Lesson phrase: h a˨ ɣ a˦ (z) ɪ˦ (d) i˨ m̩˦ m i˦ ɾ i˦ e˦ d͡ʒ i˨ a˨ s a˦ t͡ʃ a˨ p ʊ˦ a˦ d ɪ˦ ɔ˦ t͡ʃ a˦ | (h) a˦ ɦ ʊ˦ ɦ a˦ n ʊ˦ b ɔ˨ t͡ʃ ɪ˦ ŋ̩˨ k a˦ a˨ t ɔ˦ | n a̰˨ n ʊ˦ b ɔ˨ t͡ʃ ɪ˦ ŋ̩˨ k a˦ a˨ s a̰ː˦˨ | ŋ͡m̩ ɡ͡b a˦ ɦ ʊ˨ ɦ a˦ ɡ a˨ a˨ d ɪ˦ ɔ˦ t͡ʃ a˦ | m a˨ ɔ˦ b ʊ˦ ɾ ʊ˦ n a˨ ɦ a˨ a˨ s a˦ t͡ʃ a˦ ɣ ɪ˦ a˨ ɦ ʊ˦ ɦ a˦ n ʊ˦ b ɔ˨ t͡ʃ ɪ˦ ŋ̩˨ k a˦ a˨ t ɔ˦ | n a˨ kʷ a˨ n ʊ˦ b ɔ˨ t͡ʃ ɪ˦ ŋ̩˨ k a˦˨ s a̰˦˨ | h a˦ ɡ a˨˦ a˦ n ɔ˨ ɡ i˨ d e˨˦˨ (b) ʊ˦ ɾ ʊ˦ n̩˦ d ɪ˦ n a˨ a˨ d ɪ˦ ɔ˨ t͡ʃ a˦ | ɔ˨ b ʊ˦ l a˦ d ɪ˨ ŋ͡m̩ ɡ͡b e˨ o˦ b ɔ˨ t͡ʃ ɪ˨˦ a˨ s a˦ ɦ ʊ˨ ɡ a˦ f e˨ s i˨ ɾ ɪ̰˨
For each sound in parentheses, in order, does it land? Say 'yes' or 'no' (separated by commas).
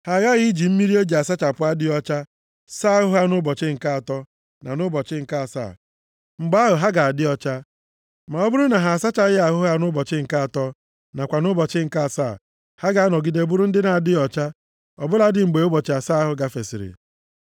no, no, no, yes